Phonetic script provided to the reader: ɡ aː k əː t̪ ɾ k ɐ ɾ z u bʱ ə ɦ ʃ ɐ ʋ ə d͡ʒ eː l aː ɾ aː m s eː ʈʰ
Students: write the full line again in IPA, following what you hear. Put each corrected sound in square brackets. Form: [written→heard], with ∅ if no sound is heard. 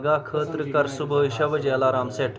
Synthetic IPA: ɡ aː [k→kʰ] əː t̪ ɾ k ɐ ɾ [z→s] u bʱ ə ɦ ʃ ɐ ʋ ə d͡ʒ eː l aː ɾ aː m s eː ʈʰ

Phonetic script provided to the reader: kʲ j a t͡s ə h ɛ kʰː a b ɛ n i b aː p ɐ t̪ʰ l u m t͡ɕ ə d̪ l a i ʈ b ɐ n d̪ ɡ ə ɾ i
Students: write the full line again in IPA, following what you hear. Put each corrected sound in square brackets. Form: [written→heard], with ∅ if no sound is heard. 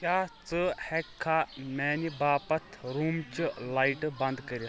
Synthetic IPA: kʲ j a t͡s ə h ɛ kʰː a [b→m] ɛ n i b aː p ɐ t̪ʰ [l→ɾ] u m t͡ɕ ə [d̪→∅] l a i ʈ b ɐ n d̪ [ɡ→k] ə ɾ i

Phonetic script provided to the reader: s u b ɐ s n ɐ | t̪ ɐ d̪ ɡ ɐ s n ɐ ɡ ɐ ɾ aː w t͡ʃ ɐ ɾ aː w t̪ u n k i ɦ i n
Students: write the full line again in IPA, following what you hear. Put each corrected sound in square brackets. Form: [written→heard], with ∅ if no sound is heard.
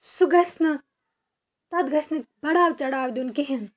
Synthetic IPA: s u [b→ɡ] ɐ s n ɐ | t̪ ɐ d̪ ɡ ɐ s n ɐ [ɡ→b] ɐ [ɾ→ɽ] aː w t͡ʃ ɐ [ɾ→ɽ] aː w [t̪→d̪] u n k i ɦ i n

